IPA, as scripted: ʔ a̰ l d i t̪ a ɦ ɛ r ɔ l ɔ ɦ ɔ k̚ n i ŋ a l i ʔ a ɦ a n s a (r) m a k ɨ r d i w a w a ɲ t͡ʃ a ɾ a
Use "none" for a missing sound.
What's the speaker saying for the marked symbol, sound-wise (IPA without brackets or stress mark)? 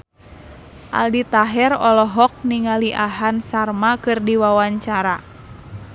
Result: r